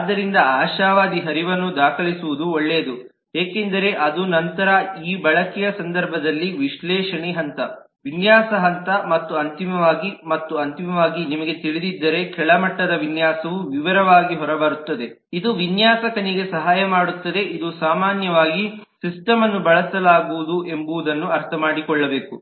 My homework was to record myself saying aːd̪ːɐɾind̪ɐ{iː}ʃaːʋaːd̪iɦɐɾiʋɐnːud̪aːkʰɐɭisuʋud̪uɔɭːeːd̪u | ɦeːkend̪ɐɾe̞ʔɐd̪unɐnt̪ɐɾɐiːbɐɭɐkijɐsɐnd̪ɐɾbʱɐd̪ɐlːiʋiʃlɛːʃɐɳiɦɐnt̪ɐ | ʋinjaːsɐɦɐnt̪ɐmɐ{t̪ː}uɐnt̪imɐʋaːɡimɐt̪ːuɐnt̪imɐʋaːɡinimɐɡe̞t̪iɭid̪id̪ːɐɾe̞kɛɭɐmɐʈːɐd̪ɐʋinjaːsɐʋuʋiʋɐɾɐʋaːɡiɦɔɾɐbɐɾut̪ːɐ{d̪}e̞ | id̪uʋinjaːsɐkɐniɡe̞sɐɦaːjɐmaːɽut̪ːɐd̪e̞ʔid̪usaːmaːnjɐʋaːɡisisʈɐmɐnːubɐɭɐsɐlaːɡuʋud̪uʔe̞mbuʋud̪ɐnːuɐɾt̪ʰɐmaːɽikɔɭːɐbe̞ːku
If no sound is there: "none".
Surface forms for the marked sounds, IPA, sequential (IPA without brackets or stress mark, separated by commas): aː, t̪ː, d̪